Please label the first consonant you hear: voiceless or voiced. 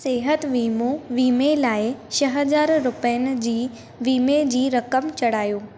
voiceless